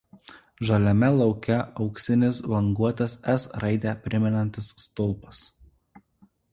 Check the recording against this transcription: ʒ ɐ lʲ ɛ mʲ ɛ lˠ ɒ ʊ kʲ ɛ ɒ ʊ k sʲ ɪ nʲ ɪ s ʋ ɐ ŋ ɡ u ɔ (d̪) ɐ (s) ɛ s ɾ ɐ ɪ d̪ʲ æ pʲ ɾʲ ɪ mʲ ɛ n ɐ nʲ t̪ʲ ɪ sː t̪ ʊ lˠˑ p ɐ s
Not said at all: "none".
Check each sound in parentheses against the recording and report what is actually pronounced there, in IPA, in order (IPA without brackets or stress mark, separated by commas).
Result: t̪, s